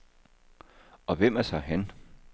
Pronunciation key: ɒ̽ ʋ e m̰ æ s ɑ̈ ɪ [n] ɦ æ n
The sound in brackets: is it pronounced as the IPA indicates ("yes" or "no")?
no